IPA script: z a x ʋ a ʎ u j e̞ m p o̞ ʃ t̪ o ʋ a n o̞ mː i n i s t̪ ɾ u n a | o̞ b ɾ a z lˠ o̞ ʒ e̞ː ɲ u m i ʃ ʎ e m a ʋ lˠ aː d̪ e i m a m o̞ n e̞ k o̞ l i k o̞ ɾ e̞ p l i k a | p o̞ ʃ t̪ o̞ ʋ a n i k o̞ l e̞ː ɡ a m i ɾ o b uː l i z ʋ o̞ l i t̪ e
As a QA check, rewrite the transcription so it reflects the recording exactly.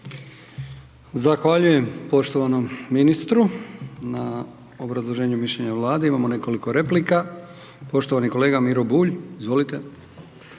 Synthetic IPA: z a x ʋ a ʎ u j e̞ m p o̞ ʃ t̪ o ʋ a n o̞ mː i n i s t̪ ɾ u n a | o̞ b ɾ a z lˠ o̞ ʒ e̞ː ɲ u m i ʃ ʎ e ɲ a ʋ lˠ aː d̪ e i m a m o̞ n e̞ k o̞ l i k o̞ ɾ e̞ p l i k a | p o̞ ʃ t̪ o̞ ʋ a n i k o̞ l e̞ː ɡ a m i ɾ o b uː ʎ i z ʋ o̞ l i t̪ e